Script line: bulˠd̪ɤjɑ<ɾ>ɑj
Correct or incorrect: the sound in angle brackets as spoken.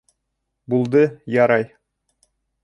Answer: correct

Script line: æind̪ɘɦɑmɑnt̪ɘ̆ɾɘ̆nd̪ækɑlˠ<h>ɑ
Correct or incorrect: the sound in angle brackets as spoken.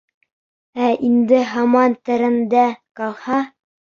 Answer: correct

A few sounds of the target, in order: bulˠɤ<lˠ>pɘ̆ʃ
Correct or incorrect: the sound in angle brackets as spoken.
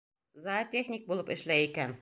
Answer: incorrect: none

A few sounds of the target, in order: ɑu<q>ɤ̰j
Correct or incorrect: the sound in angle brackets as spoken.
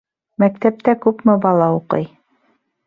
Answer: correct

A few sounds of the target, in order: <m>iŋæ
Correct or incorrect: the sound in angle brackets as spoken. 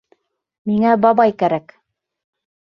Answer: correct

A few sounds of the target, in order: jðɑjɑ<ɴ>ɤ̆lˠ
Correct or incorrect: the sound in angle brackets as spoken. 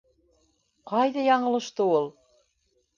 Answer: correct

